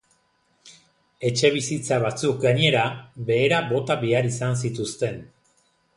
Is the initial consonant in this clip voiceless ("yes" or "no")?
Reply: yes